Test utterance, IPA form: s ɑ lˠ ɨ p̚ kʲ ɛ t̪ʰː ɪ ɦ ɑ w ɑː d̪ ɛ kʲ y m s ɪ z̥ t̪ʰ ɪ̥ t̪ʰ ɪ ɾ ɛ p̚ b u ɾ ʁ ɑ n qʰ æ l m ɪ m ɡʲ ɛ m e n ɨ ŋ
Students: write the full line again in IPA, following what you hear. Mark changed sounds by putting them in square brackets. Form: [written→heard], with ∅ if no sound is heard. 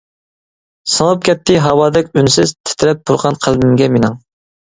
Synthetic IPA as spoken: s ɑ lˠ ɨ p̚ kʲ ɛ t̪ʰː ɪ ɦ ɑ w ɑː d̪ ɛ kʲ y [m→n] s ɪ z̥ t̪ʰ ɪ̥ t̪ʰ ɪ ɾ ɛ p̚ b u ɾ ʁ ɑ n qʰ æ l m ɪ m ɡʲ ɛ m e n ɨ ŋ